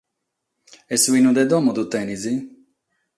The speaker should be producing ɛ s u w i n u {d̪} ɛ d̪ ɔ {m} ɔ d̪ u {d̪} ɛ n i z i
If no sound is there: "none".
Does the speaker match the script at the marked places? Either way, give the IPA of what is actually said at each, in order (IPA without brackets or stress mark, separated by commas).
d̪, m, t̪